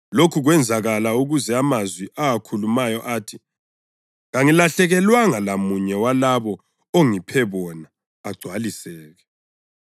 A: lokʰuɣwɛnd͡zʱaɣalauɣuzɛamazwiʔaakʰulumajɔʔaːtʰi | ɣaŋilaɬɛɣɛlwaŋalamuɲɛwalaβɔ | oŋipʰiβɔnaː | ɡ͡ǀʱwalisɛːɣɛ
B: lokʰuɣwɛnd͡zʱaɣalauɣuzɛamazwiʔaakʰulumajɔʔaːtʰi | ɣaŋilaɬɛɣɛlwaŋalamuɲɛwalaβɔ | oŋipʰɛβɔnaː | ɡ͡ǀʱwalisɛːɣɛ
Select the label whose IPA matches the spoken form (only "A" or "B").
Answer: B